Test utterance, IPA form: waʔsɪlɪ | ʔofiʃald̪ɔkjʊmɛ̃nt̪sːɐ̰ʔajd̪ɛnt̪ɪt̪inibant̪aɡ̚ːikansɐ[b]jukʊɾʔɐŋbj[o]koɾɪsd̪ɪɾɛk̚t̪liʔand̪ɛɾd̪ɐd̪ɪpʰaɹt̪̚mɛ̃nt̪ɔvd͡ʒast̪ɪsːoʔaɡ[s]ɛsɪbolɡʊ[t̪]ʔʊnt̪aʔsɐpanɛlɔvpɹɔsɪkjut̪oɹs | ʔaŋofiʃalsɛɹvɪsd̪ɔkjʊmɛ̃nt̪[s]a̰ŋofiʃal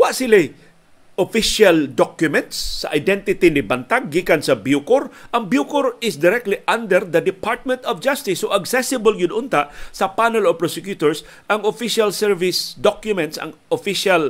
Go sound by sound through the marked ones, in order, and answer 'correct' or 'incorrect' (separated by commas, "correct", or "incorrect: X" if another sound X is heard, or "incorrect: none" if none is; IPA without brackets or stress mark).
correct, incorrect: u, correct, incorrect: d̪, correct